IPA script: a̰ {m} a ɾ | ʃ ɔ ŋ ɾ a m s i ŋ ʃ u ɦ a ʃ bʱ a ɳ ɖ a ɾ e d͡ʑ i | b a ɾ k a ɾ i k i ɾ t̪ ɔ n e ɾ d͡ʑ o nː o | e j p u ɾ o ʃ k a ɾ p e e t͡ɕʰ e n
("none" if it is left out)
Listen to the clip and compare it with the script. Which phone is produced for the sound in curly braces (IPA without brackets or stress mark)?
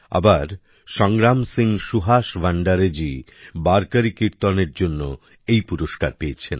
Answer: b